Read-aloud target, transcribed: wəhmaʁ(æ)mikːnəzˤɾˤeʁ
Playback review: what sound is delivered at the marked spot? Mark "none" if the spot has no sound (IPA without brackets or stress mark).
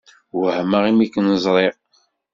i